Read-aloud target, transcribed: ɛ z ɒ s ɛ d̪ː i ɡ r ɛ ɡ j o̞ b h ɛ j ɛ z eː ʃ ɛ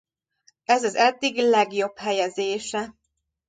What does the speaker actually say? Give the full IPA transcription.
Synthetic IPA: ɛ z ɒ z ɛ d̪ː i ɡ l ɛ ɡ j o̞ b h ɛ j ɛ z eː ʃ ɛ